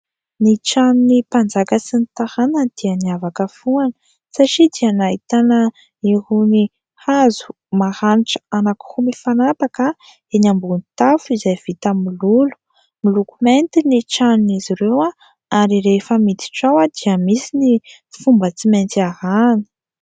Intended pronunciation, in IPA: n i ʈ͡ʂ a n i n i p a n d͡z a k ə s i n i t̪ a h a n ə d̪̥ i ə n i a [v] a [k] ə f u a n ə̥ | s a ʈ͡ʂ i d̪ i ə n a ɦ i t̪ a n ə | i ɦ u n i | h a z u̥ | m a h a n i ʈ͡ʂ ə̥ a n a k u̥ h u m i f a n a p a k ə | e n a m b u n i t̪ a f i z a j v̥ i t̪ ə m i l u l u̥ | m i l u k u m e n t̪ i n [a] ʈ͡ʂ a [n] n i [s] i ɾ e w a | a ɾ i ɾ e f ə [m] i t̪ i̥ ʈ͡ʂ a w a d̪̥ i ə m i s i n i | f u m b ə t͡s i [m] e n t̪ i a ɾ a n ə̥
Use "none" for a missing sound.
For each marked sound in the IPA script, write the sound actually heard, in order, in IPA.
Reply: v, k, i, n, z, m, m

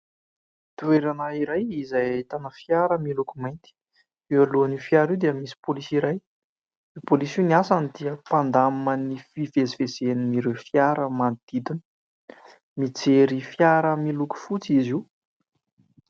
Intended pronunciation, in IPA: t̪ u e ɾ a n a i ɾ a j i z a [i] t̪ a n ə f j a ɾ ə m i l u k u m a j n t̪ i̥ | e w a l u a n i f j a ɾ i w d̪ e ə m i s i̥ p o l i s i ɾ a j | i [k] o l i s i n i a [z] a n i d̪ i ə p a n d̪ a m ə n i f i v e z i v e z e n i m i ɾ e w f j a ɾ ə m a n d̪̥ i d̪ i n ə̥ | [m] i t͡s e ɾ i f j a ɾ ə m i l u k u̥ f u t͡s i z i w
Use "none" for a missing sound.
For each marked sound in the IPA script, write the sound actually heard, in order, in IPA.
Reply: j, p, s, m

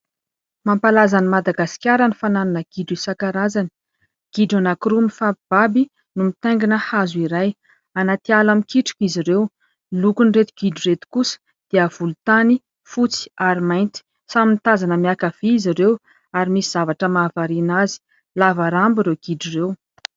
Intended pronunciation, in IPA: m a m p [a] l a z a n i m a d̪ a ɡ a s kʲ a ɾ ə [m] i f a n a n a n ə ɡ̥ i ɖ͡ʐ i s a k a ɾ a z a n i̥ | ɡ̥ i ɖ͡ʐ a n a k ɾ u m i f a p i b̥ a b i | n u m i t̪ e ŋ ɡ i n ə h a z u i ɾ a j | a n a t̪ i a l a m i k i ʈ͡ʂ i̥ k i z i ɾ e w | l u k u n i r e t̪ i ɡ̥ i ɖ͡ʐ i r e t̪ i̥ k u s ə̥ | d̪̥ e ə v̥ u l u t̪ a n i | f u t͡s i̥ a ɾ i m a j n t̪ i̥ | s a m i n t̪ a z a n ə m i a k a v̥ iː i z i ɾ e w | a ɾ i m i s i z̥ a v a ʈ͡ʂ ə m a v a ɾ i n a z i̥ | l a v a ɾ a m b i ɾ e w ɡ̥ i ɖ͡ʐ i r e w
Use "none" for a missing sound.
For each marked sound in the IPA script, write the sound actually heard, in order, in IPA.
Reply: a, n

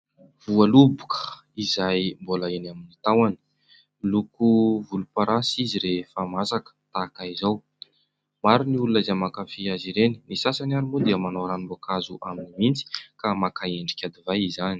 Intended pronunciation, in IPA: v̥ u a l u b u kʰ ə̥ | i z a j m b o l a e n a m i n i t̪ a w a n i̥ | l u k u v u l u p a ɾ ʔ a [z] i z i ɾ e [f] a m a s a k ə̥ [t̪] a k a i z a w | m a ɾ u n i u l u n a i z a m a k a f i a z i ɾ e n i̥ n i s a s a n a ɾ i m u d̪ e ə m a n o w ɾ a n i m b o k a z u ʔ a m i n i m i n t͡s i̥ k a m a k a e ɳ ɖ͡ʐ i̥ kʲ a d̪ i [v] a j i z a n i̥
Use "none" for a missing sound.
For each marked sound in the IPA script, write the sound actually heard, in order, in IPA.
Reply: s, f, t̪, v

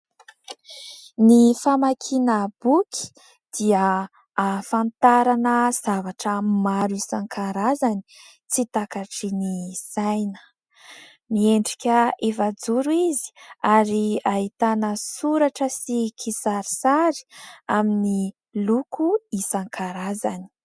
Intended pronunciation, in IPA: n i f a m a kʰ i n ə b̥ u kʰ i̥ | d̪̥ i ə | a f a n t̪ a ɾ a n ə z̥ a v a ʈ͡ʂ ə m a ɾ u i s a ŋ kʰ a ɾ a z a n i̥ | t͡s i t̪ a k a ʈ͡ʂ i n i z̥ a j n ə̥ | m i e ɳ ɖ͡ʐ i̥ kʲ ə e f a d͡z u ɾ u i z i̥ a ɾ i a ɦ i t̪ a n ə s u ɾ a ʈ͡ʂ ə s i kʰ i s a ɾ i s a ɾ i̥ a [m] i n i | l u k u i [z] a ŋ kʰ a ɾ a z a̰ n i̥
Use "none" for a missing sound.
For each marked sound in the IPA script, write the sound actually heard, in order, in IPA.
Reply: m, s

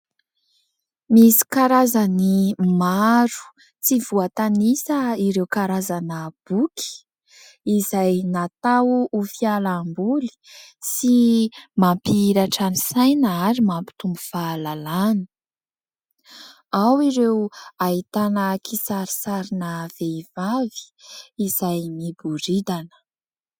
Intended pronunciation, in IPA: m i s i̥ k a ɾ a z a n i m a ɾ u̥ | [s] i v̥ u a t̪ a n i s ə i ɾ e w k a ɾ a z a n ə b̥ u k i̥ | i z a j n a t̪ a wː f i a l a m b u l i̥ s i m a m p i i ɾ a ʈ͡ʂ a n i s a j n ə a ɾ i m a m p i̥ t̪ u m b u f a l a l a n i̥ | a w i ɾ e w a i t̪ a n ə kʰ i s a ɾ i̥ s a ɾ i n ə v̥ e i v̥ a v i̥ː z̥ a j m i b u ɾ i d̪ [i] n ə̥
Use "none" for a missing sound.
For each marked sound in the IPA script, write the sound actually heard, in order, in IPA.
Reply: t͡s, a

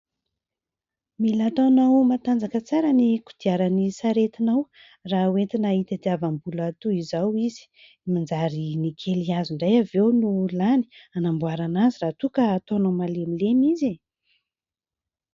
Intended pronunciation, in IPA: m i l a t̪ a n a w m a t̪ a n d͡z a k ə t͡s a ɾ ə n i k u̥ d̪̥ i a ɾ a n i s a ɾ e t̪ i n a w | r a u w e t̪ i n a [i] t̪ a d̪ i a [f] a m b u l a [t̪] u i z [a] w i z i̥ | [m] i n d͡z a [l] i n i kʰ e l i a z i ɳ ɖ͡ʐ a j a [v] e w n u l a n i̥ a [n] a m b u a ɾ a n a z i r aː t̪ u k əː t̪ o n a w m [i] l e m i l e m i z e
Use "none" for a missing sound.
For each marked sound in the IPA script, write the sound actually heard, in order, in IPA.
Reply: i, v, t̪, a, m, ɾ, v, n, a

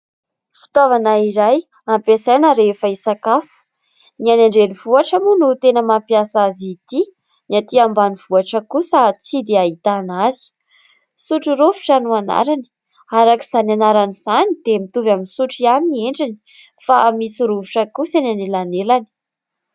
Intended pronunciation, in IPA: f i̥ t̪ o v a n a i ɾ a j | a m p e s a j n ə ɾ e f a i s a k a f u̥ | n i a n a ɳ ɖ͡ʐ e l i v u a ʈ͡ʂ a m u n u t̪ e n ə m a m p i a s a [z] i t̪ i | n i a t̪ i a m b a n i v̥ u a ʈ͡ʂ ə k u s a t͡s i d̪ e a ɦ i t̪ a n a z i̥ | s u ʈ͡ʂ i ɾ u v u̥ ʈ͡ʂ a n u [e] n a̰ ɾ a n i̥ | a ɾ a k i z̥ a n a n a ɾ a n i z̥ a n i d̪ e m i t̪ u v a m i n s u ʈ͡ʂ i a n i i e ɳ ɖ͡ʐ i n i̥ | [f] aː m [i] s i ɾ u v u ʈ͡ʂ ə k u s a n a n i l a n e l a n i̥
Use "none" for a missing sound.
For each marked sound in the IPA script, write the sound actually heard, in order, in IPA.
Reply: z, a, f, i

